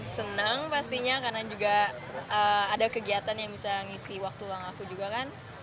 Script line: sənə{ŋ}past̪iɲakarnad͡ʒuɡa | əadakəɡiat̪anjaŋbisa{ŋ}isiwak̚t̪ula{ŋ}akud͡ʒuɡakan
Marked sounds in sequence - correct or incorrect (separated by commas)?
correct, correct, correct